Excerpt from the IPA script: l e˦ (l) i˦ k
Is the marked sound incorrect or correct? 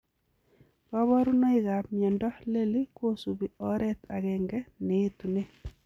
correct